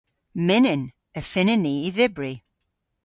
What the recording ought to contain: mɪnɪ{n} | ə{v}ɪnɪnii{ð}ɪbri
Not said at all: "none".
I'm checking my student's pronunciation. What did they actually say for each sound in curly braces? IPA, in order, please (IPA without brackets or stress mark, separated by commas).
n, f, ð